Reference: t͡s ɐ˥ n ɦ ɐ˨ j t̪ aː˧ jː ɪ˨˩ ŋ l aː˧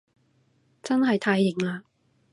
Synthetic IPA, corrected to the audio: t͡s ɐ˥ n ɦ ɐ˨ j t̪ʰ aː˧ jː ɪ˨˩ ŋ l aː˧